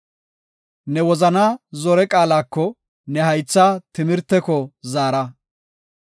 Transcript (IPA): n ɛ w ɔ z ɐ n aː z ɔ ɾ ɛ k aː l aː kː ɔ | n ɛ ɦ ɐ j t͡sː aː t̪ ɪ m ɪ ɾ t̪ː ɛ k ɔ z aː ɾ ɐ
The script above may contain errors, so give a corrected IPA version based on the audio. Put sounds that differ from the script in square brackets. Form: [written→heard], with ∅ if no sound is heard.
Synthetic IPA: n ɛ w ɔ z ɐ n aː z ɔ ɾ ɛ [k→kʼ] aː l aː kː ɔ | n ɛ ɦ ɐ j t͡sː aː t̪ ɪ m ɪ ɾ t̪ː ɛ k ɔ z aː ɾ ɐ